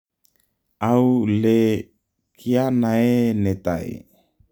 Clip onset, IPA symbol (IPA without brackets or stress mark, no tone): a